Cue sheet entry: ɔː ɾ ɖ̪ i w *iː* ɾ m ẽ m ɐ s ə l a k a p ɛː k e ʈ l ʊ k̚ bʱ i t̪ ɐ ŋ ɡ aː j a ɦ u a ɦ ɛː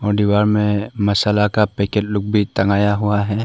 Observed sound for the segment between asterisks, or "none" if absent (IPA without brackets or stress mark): aː